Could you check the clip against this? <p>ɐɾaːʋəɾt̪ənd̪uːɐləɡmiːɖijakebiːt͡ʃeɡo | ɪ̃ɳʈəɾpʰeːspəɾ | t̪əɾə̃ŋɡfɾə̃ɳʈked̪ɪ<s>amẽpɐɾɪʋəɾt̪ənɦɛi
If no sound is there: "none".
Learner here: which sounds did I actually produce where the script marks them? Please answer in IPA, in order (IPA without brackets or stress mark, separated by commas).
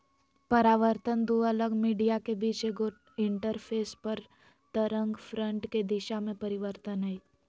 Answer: p, ʃ